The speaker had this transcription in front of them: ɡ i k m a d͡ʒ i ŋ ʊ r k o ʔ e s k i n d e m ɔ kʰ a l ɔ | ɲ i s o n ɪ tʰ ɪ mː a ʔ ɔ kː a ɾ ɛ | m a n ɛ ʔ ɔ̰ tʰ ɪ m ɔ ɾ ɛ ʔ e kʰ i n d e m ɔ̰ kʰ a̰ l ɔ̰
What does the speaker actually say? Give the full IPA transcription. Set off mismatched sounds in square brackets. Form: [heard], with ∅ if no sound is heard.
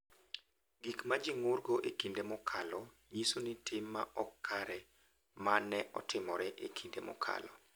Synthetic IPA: ɡ i k m a d͡ʒ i ŋ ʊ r [ɡ] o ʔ e [∅] k i n d e m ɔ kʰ a l ɔ | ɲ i s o n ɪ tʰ ɪ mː a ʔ ɔ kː a ɾ ɛ | m a n ɛ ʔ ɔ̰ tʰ ɪ m ɔ ɾ ɛ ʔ e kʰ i n d e m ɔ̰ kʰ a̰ l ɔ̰